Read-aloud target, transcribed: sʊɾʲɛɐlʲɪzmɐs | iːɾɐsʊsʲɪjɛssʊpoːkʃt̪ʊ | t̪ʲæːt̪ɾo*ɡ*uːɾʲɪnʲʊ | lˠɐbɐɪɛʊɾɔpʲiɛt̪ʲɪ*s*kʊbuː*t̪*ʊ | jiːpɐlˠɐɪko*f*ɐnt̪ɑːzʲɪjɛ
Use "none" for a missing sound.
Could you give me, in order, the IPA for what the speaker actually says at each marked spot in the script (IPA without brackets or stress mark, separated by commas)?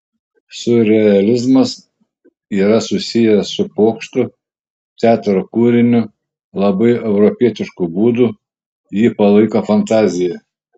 k, ʃ, d̪, f